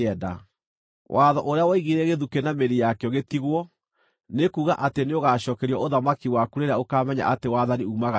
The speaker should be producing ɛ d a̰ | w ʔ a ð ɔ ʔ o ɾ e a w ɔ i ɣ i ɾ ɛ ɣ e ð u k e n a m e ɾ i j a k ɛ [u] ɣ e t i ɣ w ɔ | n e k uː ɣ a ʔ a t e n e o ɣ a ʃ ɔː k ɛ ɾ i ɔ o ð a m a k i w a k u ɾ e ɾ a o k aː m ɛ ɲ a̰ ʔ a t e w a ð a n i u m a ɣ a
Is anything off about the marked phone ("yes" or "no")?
yes